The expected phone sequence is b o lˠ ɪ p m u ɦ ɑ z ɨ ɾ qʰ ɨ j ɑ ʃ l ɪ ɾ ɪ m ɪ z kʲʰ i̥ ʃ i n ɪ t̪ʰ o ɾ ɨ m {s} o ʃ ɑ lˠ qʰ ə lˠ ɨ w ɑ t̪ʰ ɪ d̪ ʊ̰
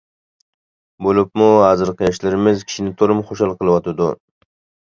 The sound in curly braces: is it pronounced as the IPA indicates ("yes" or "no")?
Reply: no